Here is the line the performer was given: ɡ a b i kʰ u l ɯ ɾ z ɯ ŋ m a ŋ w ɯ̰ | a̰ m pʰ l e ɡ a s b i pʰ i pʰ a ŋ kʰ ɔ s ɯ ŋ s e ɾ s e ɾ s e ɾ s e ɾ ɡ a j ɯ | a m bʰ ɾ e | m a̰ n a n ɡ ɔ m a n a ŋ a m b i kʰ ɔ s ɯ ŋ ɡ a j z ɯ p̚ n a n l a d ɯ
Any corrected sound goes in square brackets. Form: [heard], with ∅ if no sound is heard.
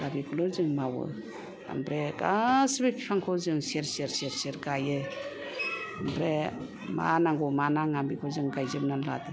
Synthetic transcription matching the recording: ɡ a b i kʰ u l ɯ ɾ z ɯ ŋ m a [∅] w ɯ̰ | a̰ m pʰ [ɾ] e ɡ a s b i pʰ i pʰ a ŋ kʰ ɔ [z] ɯ ŋ s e ɾ s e ɾ s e ɾ s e ɾ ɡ a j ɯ | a m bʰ ɾ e | m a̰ n a [ŋ] ɡ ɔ m a n a ŋ a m b i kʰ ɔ [z] ɯ ŋ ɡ a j z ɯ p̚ n a n l a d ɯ

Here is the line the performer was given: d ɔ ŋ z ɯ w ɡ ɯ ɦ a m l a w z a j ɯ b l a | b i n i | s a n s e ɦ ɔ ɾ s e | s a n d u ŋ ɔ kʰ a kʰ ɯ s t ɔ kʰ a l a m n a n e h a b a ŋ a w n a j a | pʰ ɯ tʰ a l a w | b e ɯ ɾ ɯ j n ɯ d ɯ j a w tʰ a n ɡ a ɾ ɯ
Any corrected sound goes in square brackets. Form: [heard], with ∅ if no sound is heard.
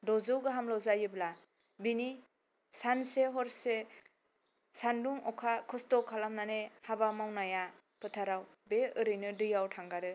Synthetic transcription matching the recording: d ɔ [∅] z ɯ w ɡ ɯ ɦ a m l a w z a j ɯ b l a | b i n i | s a n s e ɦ ɔ ɾ s e | s a n d u ŋ ɔ kʰ a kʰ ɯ s t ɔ kʰ a l a m n a n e h a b a [m] a w n a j a | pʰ ɯ tʰ a [ɾ] a w | b e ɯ ɾ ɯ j n ɯ d ɯ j a w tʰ a [ŋ] ɡ a ɾ ɯ

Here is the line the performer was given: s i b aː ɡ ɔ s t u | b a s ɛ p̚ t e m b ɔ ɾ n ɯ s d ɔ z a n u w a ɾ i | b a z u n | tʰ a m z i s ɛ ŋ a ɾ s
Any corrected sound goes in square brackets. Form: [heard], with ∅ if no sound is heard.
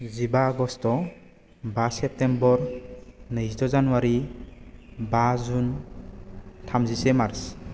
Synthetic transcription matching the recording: [z] i b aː ɡ ɔ s t [ɔ] | b a s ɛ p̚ t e m b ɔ ɾ n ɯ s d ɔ z a n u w a ɾ i | b a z u n | tʰ a m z i s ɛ [m] a ɾ s

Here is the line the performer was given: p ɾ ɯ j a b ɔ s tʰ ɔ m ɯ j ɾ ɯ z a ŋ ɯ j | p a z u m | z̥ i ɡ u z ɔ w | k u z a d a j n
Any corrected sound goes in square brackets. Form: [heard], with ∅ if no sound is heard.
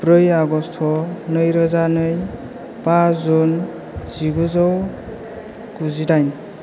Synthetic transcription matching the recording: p ɾ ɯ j a [ɡ] ɔ s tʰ ɔ [n] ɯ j ɾ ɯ z a [n] ɯ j | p a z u [n] | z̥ i ɡ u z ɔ w | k u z [i] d a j n

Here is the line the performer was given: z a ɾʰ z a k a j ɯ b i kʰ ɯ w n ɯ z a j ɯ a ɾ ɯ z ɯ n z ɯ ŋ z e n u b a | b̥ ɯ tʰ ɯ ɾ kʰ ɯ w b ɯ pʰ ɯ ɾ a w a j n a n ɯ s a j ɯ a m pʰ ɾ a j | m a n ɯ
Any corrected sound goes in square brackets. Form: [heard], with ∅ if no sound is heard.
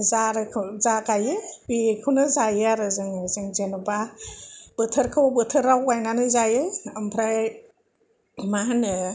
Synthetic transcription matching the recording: z a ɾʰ z a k a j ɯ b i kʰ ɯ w n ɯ z a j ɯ a ɾ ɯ z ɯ [ŋ] z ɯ ŋ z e n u b a | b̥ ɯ tʰ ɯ ɾ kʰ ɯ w b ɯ [tʰ] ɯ ɾ a w a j n a n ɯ [z] a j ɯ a m pʰ ɾ a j | m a n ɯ

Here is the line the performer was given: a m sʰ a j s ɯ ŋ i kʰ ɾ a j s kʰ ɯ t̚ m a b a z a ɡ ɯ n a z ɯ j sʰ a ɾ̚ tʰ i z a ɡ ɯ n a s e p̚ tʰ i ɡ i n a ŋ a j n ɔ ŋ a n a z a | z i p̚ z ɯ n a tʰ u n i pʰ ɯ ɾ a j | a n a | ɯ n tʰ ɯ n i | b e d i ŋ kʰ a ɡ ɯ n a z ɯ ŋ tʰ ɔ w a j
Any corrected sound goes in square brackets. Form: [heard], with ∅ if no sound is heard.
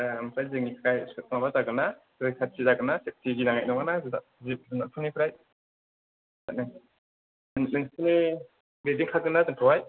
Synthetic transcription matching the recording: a m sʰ a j [z] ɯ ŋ i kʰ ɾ a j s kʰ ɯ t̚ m a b a z a ɡ ɯ n a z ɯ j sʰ a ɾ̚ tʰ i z a ɡ ɯ n a s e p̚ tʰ i ɡ i n a ŋ a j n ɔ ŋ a n a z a | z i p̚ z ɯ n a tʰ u n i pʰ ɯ ɾ a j | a n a | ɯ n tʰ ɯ n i | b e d i ŋ kʰ a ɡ ɯ n a z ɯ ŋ tʰ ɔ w a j

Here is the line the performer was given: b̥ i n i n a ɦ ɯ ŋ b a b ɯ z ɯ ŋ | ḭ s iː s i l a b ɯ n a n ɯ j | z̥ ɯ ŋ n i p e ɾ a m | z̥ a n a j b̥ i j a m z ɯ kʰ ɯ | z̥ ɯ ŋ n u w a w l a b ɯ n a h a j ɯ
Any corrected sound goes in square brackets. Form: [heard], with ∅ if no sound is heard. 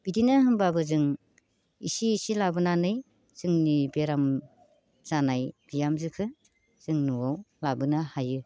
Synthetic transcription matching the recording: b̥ i [d] i n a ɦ ɯ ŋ b a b ɯ z ɯ ŋ | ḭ s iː s i l a b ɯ n a n ɯ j | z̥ ɯ ŋ n i [b] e ɾ a m | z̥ a n a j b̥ i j a m z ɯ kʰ ɯ | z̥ ɯ ŋ n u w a w l a b ɯ n a h a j ɯ

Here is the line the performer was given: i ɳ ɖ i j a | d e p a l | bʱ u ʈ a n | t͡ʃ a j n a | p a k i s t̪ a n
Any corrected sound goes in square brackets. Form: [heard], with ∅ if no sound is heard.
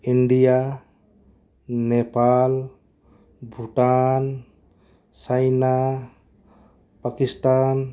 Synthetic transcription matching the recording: i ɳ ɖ i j a | [n] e p a l | bʱ u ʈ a n | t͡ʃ a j n a | p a k i s t̪ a n

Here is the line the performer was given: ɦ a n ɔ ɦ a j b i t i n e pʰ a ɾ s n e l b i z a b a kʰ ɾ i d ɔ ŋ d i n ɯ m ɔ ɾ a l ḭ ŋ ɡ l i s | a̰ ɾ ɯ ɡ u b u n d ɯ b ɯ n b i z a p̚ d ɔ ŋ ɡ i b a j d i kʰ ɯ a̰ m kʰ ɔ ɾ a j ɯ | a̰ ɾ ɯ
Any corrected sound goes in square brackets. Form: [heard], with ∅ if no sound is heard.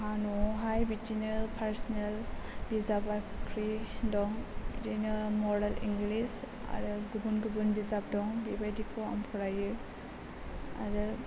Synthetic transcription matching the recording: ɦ a n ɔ ɦ a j b i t i n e pʰ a ɾ s n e l b i z a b a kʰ ɾ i d ɔ ŋ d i n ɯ m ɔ ɾ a l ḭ ŋ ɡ l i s | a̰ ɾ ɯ ɡ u b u n [ɡ] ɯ b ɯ n b i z a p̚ d ɔ ŋ [b] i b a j d i kʰ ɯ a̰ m [pʰ] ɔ ɾ a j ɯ | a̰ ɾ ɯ

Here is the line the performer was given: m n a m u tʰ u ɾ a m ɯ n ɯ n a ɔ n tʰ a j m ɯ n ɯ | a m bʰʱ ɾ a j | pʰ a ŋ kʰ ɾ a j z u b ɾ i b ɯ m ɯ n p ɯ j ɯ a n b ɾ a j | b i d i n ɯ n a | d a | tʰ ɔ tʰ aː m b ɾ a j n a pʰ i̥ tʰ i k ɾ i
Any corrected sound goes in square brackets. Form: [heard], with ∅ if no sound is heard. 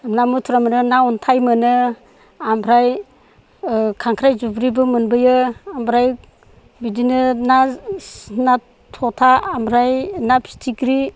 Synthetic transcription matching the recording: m n a m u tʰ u ɾ a m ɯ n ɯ n a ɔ n tʰ a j m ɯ n ɯ | a m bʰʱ ɾ a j | [kʰ] a ŋ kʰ ɾ a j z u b ɾ i b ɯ m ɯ n [b] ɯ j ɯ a [m] b ɾ a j | b i d i n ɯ n a | [n] a | tʰ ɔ tʰ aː m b ɾ a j n a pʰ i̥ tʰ i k ɾ i

